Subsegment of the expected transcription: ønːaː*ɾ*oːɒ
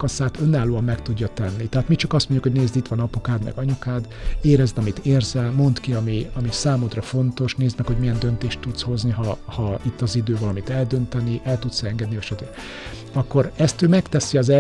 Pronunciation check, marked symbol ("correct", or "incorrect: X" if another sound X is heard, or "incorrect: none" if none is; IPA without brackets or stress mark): incorrect: l